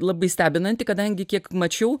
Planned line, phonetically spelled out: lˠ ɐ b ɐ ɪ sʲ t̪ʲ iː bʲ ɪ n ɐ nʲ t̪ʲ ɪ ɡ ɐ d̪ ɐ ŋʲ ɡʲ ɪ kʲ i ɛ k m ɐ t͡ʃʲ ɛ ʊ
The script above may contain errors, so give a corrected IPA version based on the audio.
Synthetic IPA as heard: lˠ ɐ b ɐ ɪ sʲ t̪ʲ æː bʲ ɪ n ɐ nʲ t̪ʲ ɪ k ɐ d̪ ɐ ŋʲ ɡʲ ɪ kʲ i ɛ k m ɐ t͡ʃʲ ɛ ʊ